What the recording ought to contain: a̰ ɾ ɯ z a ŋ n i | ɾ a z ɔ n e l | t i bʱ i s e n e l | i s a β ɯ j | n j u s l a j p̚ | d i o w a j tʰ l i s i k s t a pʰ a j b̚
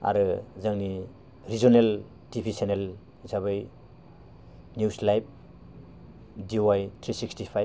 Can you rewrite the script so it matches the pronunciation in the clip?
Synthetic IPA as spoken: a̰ ɾ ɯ z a ŋ n i | ɾ i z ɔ n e l | t i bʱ i s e n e l | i s a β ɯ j | n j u s l a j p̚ | d i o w a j tʰ ɾ i s i k s t i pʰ a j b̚